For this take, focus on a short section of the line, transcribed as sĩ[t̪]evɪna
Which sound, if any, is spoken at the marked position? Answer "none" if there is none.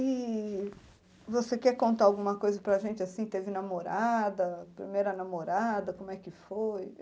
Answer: t̪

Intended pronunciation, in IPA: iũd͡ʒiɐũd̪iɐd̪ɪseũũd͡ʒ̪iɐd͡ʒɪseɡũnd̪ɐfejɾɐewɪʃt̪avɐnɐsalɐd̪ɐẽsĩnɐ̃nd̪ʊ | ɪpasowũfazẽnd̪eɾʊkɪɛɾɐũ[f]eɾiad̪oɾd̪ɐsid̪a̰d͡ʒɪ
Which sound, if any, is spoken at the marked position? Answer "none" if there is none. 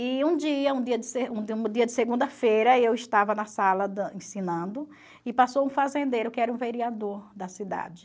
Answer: v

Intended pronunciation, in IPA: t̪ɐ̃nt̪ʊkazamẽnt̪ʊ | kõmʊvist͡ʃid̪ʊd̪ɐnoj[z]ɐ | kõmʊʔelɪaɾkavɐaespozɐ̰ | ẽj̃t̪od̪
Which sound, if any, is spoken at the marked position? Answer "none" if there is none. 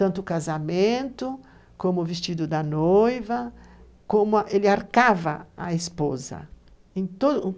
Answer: v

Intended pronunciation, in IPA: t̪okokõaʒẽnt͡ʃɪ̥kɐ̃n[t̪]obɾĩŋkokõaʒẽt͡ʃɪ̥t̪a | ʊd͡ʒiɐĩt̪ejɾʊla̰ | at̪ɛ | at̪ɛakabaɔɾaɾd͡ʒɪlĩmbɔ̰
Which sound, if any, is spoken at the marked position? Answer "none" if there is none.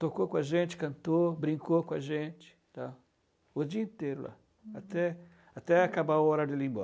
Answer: t̪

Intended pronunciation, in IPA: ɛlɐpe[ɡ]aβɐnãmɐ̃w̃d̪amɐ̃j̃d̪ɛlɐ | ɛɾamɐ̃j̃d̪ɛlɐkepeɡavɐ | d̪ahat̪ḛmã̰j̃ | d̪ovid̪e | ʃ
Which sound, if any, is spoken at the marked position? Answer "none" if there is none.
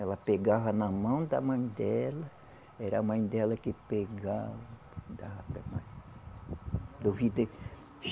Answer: ɡ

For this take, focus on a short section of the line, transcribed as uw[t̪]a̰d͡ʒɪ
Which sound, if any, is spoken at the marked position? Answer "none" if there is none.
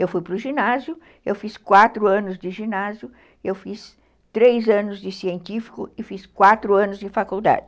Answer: d̪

